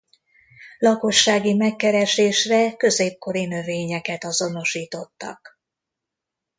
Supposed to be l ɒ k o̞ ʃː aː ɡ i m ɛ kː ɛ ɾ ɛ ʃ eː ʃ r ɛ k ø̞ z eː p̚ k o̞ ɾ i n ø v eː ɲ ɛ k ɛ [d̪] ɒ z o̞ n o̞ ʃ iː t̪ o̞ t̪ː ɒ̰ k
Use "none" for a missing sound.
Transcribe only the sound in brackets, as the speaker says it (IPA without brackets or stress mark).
t̪